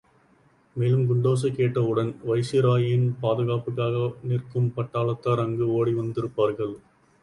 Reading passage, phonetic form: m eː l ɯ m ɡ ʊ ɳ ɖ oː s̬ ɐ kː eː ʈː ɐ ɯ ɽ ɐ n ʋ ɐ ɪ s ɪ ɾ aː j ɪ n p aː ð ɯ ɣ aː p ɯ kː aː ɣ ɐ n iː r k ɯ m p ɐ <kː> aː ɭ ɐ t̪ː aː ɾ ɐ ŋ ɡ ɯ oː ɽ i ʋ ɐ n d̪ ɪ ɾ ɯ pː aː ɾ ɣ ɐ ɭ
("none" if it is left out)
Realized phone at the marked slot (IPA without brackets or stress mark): ʈː